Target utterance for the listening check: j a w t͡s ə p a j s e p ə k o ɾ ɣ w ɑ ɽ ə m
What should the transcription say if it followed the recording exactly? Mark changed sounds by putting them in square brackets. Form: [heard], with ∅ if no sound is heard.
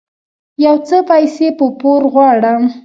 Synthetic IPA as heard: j a w t͡s ə p a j s e p ə [p] o ɾ ɣ w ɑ ɽ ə m